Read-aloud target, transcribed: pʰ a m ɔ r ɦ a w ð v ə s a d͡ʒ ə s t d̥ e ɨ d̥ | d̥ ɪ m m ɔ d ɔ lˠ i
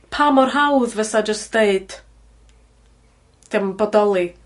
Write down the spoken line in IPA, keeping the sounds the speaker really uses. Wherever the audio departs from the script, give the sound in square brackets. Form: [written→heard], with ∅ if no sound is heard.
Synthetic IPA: pʰ a m ɔ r ɦ a w ð v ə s a d͡ʒ ə s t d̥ e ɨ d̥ | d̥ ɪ m [m→b] ɔ d ɔ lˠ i